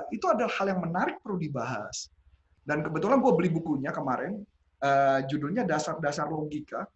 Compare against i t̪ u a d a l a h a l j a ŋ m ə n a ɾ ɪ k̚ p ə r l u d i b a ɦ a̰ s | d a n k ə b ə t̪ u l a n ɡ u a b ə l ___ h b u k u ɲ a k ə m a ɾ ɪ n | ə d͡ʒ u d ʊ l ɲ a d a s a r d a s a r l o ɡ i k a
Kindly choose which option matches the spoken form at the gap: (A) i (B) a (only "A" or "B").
A